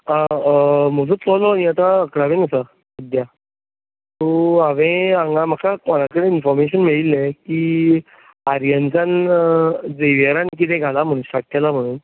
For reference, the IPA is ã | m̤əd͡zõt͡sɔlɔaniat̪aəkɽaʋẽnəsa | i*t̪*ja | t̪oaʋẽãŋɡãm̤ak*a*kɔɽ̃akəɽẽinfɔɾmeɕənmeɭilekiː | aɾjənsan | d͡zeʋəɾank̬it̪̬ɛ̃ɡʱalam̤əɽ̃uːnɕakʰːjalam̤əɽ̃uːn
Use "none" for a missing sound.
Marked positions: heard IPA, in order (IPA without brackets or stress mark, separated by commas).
d̪, a